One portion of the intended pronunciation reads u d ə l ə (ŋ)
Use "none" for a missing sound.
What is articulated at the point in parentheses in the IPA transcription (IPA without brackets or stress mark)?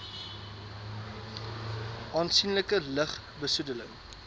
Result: ŋ